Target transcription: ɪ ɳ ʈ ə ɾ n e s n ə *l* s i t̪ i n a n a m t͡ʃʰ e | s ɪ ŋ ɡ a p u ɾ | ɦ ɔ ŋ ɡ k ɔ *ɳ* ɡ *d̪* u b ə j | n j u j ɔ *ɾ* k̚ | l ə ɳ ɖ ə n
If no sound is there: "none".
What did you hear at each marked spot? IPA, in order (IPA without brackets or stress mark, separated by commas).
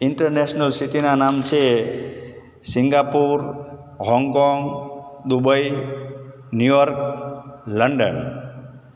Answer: l, ŋ, d̪, ɾ